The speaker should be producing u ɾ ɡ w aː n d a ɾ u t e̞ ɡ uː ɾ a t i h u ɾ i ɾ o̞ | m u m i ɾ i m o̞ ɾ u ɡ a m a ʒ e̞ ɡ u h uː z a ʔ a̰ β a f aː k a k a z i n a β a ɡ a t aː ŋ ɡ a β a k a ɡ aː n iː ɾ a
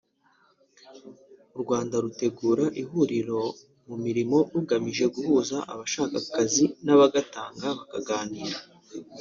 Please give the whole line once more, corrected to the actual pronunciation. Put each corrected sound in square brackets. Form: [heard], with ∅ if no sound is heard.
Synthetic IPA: u ɾ ɡ w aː n d a ɾ u t e̞ ɡ uː ɾ a [ʔ] i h u ɾ i ɾ o̞ | m u m i ɾ i m o̞ ɾ u ɡ a m [i] ʒ e̞ ɡ u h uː z a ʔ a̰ β a [ʃ] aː k a k a z i n a β a ɡ a t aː ŋ ɡ a β a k a ɡ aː n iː ɾ a

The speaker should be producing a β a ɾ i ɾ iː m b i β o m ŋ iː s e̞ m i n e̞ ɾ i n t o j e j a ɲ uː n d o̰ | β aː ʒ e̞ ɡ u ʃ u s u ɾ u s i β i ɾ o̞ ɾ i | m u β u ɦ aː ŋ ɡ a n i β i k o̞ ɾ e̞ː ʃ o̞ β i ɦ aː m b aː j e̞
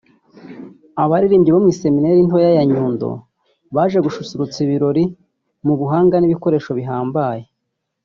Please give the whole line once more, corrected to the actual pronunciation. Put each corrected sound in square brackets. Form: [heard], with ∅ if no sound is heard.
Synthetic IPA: a β a ɾ i ɾ iː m [ɟ] i β o m ŋ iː s e̞ m i n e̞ ɾ i n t o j [a] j a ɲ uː n d o̰ | β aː ʒ e̞ ɡ u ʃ u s u ɾ u [t͡s] i β i ɾ o̞ ɾ i | m u β u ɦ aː ŋ ɡ a n i β i k o̞ ɾ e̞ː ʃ o̞ β i ɦ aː m b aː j e̞

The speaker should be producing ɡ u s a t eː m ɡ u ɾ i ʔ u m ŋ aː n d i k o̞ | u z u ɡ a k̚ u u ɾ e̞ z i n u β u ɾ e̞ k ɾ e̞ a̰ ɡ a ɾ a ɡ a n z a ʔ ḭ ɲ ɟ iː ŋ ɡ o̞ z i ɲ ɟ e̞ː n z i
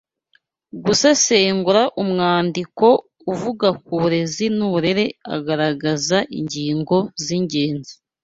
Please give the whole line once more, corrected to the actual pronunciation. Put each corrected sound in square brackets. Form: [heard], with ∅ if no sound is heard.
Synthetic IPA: ɡ u s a [s] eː [ŋ] ɡ u ɾ [a] ʔ u m ŋ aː n d i k o̞ | u [v] u ɡ a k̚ u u ɾ e̞ z i n u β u ɾ e̞ [∅] ɾ e̞ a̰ ɡ a ɾ a ɡ a [∅] z a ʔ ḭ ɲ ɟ iː ŋ ɡ o̞ z i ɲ ɟ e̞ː n z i

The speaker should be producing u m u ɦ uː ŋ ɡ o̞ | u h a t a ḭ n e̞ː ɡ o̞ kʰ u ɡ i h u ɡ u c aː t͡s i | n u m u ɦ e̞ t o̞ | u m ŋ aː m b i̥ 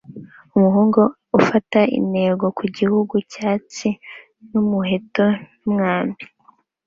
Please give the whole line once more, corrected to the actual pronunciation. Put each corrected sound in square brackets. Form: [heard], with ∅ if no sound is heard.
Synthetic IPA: u m u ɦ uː ŋ ɡ o̞ | u [f] a t a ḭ n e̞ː ɡ o̞ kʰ u [ɟ] i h u ɡ u c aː t͡s i | n u m u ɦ e̞ t o̞ | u m ŋ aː m b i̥

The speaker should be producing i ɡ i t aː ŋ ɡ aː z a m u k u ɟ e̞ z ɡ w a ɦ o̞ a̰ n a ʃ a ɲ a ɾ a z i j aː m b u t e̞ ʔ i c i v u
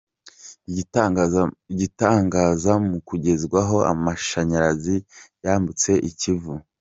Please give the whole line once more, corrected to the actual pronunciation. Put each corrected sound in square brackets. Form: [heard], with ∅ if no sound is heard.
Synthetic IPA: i [ɟ] i t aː ŋ ɡ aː z a m u k u ɟ e̞ z ɡ w a ɦ o̞ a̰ [m] a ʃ a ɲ a ɾ a z i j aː m b u [t͡s] e̞ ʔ i c i v u

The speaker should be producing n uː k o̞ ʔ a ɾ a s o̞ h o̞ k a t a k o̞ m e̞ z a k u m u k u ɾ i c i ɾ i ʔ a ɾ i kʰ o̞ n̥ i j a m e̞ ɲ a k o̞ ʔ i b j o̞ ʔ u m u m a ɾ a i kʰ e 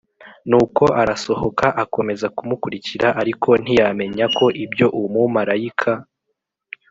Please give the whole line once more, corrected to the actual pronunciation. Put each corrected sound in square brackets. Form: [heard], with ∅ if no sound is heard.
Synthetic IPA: n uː k o̞ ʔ a ɾ a s o̞ h o̞ k a [ʔ] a k o̞ m e̞ z a k u m u k u ɾ i c i ɾ [a] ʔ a ɾ i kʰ o̞ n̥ i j a m e̞ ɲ a k o̞ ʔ i b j o̞ ʔ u m u m a ɾ a i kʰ [a]

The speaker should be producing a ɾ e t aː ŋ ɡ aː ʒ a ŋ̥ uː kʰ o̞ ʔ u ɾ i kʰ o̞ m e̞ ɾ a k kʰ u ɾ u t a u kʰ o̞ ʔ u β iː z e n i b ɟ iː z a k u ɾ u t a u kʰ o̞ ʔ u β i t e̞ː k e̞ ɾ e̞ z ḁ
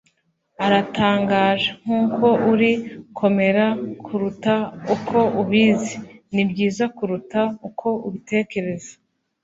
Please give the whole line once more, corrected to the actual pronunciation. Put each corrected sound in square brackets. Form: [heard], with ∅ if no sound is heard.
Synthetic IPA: a ɾ [a] t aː ŋ ɡ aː ʒ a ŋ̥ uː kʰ o̞ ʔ u ɾ i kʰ o̞ m e̞ ɾ a k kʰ u ɾ u t a u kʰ o̞ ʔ u β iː z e n i b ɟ iː z a k u ɾ u t a u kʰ o̞ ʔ u β i t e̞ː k e̞ ɾ e̞ z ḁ

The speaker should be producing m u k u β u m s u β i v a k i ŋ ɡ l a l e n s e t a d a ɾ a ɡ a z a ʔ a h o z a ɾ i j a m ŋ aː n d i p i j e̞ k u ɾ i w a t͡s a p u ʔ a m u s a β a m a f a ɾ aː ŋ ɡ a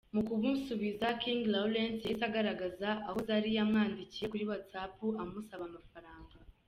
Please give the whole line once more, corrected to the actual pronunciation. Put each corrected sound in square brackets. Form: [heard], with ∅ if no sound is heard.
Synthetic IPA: m u k u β u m s u β i [z] a k i ŋ ɡ l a l e n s e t a [ɡ] a ɾ a ɡ a z a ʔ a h o z a ɾ i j a m ŋ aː n d i [c] i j e̞ k u ɾ i w a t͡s a p u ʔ a m u s a β a m a f a ɾ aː ŋ ɡ a

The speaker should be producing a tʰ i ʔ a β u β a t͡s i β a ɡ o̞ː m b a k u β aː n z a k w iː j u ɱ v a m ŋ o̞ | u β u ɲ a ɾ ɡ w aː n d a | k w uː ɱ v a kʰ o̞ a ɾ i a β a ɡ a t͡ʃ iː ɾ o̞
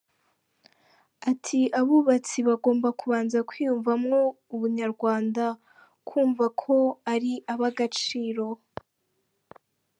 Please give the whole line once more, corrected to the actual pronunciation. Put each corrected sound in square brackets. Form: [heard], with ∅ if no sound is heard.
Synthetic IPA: a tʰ i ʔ a β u β a t͡s i β a ɡ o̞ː m b a k u β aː n z a k w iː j u ɱ v a m ŋ o̞ | u β u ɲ a ɾ ɡ w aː n d a | k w uː ɱ v a kʰ o̞ a ɾ i a β a ɡ a t͡ʃ iː ɾ o̞

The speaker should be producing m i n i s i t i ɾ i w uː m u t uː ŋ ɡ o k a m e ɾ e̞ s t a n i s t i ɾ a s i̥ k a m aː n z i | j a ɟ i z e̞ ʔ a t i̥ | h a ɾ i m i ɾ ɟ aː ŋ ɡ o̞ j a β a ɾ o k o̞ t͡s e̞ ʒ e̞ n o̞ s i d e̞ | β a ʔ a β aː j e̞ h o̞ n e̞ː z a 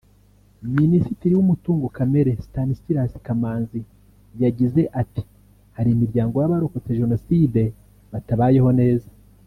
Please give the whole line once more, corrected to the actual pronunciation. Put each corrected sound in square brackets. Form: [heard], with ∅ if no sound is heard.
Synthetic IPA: m i n i s i t i ɾ i w [u] m u t uː ŋ ɡ o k a m e ɾ e̞ s t a n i s t i ɾ a s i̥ k a m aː n z i | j a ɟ i z e̞ ʔ a t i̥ | h a ɾ i m i ɾ ɟ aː ŋ ɡ o̞ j a β a ɾ o k o̞ t͡s e̞ ʒ e̞ n o̞ s i d e̞ | β a [t] a β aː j e̞ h o̞ n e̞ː z a

